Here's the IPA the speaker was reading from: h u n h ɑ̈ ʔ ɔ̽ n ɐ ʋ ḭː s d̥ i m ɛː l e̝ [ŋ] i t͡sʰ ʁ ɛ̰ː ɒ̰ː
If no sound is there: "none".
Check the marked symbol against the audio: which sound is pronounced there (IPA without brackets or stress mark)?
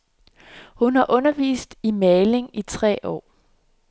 ŋ